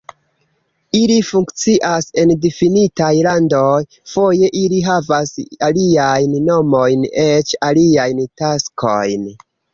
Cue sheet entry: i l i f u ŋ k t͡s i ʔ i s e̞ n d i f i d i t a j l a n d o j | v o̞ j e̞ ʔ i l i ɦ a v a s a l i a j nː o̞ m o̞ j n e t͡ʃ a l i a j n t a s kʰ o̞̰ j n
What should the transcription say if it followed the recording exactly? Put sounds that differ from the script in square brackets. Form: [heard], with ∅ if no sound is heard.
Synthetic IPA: i l i f u ŋ k t͡s i ʔ [a] s e̞ n d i f i [n] i t a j l a n d o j | [f] o̞ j e̞ ʔ i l i ɦ a v a s a l i a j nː o̞ m o̞ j n e t͡ʃ a l i a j n t a s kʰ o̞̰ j n